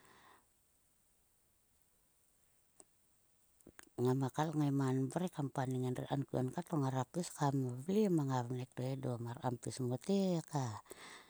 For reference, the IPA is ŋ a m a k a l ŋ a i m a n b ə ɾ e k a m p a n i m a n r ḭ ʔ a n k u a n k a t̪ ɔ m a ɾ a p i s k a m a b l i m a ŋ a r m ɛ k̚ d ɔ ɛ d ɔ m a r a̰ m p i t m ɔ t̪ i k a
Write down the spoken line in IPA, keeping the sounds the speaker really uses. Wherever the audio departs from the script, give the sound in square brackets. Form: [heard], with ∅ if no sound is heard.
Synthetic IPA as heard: ŋ a m a k a l ŋ a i m a n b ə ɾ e k a m p a n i [ŋ] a n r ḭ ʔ a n k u a n k a t̪ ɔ [ŋ] a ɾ a p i s k a m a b l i m a ŋ a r [n] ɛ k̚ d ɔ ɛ d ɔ m a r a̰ m p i [s] m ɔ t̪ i k a